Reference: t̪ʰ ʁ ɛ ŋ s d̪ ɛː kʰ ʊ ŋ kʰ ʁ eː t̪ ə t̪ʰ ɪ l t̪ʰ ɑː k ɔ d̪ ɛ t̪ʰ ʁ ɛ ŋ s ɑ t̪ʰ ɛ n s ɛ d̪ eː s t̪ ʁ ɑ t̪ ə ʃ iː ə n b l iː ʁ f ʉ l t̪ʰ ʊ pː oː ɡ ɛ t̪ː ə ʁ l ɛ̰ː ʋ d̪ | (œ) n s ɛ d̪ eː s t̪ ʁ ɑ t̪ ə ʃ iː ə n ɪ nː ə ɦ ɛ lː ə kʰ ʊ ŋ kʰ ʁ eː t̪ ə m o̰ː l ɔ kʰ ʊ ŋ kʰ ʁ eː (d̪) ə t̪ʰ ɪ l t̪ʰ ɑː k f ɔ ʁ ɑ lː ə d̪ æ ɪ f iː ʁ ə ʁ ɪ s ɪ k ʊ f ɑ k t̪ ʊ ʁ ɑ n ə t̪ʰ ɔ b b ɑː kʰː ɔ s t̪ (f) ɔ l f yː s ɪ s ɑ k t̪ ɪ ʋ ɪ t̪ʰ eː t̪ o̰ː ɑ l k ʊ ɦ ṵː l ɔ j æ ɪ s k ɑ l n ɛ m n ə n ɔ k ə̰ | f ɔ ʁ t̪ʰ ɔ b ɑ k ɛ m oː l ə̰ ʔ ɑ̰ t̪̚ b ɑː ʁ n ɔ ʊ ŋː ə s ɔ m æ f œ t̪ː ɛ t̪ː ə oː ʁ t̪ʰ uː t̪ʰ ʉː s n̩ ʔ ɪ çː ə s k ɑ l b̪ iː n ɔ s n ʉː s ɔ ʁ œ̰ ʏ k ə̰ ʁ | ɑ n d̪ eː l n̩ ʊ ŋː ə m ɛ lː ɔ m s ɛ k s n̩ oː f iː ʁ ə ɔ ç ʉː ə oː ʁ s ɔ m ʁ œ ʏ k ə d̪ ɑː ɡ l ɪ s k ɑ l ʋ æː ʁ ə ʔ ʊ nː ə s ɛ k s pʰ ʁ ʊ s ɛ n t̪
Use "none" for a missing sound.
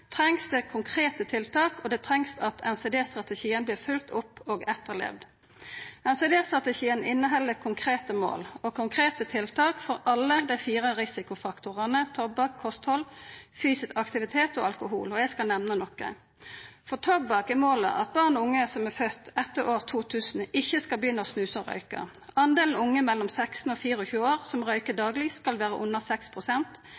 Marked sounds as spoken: ɛ, t̪, h

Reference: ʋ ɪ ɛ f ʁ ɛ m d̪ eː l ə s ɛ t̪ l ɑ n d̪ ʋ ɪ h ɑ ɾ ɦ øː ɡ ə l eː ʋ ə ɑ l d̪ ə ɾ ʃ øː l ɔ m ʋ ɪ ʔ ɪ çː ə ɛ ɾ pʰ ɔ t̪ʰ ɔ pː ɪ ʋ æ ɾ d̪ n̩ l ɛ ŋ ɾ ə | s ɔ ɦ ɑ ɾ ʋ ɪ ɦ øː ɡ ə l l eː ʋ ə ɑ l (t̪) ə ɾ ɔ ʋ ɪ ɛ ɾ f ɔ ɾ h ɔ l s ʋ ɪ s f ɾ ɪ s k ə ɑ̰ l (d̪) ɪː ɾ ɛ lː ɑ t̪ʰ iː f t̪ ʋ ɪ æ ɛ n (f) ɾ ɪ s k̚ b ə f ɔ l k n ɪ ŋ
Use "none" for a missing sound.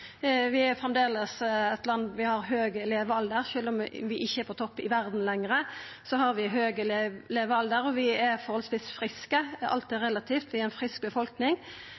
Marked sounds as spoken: d̪, t̪, f

